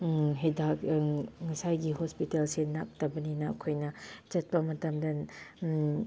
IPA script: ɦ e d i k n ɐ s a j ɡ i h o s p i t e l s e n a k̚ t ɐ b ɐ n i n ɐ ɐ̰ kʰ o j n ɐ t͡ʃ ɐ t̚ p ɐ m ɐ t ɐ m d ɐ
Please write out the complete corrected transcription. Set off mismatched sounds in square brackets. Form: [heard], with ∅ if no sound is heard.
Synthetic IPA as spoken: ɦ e d [a] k [ŋ] ɐ s a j ɡ i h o s p i t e l s e n a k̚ t ɐ b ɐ n i n ɐ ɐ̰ kʰ o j n ɐ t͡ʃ ɐ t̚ p ɐ m ɐ t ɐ m d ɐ

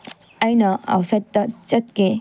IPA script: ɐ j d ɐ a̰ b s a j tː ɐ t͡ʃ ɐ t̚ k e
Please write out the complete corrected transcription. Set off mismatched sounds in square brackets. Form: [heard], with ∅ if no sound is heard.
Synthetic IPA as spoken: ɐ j [n] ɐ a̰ [w] s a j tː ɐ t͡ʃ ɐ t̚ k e

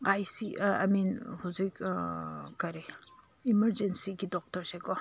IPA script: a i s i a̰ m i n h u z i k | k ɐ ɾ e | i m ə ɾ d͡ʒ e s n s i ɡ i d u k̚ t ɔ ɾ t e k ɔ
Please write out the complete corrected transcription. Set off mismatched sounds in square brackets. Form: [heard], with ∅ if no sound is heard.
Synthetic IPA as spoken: a [j] s i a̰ m i n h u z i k | k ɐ ɾ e | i m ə ɾ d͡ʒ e [∅] n s i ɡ i d [ɔ] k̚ t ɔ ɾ [s] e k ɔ

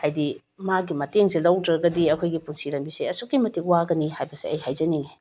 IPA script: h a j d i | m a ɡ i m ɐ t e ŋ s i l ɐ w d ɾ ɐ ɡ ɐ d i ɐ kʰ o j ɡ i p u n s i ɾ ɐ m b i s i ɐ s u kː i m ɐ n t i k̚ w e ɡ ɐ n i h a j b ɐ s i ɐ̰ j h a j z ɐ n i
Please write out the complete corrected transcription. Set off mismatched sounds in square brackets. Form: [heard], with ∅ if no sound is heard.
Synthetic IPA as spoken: h a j d i | m a ɡ i m ɐ t e ŋ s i l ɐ w d ɾ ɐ ɡ ɐ d i ɐ kʰ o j ɡ i p u n s i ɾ ɐ m b i s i ɐ s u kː i m ɐ [∅] t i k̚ w [a] ɡ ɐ n i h a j b ɐ s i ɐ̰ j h a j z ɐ n i

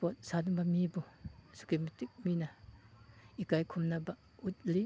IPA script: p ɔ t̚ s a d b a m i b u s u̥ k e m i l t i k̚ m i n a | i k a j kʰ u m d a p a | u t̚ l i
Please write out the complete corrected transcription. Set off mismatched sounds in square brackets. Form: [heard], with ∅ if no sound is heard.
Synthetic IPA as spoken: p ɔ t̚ s a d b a m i b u s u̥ k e m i [∅] t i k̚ m i n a | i k a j kʰ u m [n] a [b] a | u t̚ l i

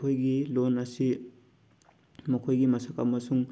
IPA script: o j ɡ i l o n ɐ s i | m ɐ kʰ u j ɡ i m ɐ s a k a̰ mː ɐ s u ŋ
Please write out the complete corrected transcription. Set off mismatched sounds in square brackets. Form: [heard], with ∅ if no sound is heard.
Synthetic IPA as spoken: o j ɡ i l o n ɐ s i | m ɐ kʰ [o] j ɡ i m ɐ s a k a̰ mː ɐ s u ŋ

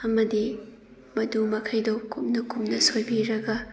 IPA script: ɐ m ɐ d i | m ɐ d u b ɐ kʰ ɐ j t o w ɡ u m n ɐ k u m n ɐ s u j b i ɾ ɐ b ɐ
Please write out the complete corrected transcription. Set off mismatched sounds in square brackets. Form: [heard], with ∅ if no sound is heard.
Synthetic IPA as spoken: ɐ m ɐ d i | m ɐ d u [m] ɐ kʰ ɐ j [d] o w [k] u m n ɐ k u m n ɐ s [o] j b i ɾ ɐ [ɡ] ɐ

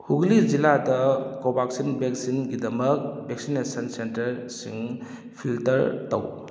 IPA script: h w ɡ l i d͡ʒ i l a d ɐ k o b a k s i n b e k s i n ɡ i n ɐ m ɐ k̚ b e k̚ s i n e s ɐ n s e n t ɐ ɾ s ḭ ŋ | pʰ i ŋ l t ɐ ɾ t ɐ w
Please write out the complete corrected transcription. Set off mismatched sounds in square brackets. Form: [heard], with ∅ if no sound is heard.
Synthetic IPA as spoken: h [u] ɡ l i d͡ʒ i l a d ɐ k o b a k s i n b e k s i n ɡ i [d] ɐ m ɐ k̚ b e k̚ s i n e s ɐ n s e n t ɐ ɾ s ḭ ŋ | pʰ i [∅] l t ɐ ɾ t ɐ w

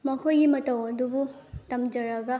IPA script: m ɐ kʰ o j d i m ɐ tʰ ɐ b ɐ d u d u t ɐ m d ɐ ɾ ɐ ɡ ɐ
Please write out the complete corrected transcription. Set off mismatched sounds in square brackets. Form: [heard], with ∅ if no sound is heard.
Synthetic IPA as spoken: m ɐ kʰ o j [ɡ] i m ɐ [t] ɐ [w] ɐ d u [b] u t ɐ m [d͡ʒ] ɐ ɾ ɐ ɡ ɐ

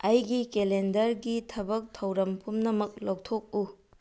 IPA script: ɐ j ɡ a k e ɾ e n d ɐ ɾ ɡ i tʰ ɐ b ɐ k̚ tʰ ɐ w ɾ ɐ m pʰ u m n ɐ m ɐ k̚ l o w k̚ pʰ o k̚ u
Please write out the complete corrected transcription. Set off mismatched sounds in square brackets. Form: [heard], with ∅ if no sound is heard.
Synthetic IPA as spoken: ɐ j ɡ [i] k e [l] e n d ɐ ɾ ɡ i tʰ ɐ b ɐ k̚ tʰ ɐ w ɾ ɐ m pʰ u m n ɐ m ɐ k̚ l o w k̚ [tʰ] o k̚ u

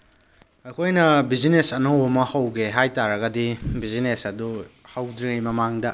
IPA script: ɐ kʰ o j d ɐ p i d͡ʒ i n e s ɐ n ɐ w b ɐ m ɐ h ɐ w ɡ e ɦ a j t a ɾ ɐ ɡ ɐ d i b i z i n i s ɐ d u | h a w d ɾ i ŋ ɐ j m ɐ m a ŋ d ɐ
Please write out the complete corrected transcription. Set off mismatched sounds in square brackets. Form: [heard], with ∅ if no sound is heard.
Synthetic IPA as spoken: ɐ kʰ o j [n] ɐ [b] i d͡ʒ i n e s ɐ n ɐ w b ɐ m ɐ h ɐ w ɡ e ɦ a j t a ɾ ɐ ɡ ɐ d i b i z i n [e] s ɐ d u | h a w d ɾ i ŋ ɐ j m ɐ m a ŋ d ɐ

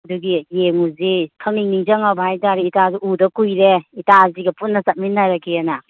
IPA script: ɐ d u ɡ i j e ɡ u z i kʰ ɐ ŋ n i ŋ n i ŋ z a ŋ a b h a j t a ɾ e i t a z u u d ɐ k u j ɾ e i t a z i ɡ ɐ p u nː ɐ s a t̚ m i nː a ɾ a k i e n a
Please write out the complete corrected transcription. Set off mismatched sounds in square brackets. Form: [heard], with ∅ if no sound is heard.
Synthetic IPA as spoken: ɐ d u ɡ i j e [ŋ] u z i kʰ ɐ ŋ n i ŋ n i ŋ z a ŋ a b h a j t a ɾ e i t a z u u d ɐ k u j ɾ e i t a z i ɡ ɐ p u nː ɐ s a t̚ m i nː a ɾ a k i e n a

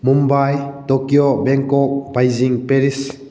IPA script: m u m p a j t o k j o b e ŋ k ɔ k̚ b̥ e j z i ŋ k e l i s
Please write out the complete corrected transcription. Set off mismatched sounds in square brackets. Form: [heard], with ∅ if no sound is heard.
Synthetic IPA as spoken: m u m [b] a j t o k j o b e ŋ k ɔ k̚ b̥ [a] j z i ŋ [p] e [ɾ] i s

